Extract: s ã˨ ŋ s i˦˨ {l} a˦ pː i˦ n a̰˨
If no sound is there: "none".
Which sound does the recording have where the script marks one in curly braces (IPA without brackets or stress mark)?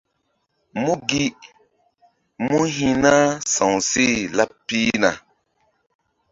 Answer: l